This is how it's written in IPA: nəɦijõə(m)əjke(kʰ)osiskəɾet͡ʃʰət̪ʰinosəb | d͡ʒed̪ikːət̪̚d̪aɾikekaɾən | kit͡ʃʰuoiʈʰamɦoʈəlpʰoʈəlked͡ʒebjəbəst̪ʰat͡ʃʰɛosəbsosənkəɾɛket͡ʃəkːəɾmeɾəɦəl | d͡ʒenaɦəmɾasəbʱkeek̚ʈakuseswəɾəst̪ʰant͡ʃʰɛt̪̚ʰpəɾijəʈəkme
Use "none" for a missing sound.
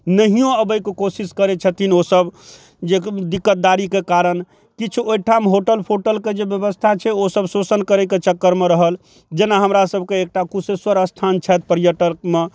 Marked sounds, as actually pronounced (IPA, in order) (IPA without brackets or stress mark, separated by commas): b, k